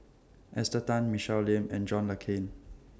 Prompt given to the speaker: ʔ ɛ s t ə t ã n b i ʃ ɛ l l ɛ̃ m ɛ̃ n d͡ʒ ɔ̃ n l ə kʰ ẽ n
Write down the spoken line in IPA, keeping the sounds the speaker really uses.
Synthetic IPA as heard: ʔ ɛ s t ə t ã n m i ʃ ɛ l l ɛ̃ m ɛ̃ n d͡ʒ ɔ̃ n l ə kʰ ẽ n